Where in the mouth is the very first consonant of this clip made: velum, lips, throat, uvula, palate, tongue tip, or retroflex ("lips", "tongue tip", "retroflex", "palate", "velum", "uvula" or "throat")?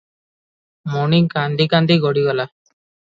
lips